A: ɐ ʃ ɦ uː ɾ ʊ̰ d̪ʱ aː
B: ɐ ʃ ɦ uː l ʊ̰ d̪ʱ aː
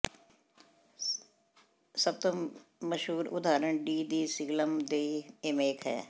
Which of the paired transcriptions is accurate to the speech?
A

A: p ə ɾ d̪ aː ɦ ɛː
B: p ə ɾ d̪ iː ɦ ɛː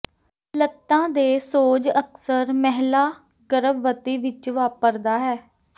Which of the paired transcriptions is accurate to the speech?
A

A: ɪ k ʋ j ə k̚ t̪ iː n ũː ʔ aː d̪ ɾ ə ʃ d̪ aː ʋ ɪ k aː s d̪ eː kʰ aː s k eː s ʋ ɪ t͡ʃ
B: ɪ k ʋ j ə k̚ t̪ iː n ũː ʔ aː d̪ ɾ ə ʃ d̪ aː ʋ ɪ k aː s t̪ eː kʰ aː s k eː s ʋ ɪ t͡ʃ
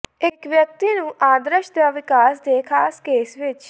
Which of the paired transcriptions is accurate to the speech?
A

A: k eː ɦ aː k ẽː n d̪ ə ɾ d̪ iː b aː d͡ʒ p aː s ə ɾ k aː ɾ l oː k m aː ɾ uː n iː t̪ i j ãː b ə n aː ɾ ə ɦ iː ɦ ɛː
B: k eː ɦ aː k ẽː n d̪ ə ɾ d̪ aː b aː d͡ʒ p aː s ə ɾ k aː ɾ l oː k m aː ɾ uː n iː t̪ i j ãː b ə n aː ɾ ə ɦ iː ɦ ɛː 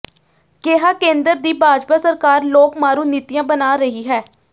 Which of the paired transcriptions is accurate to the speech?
A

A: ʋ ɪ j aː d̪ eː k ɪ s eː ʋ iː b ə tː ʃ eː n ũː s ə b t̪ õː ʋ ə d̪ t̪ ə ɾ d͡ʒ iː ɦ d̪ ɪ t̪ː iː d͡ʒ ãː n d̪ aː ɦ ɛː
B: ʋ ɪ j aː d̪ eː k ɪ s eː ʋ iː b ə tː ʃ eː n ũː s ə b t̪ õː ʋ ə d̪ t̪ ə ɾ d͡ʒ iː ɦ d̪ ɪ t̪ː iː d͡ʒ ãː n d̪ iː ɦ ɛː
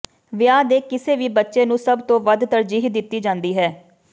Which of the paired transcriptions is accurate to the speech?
B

